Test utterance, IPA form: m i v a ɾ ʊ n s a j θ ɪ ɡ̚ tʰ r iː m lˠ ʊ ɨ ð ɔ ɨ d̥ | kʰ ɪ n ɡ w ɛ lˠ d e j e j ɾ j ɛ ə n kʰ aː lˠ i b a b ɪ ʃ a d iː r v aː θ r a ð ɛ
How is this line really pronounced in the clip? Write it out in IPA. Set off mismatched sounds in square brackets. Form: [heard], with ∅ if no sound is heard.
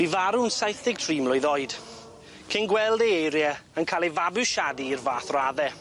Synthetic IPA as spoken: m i v a ɾ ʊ n s a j θ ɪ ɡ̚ tʰ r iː m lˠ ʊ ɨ ð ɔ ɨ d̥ | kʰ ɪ n ɡ w ɛ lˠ d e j e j ɾ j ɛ ə n kʰ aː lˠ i [v] a b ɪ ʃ a d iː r v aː θ r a ð ɛ